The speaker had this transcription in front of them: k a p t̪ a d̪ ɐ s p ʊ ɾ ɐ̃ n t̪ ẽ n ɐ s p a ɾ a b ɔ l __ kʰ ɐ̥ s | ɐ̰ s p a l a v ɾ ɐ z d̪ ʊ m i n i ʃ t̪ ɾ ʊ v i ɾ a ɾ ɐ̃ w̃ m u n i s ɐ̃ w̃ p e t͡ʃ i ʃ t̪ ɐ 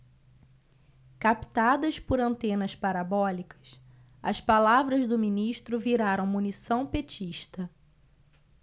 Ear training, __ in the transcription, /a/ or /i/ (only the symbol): i